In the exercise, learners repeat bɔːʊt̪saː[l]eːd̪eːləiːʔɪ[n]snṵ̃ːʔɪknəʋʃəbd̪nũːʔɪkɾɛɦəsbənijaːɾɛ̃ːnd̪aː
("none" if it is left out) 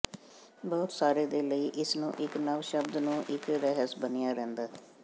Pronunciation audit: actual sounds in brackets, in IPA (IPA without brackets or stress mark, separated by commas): ɾ, none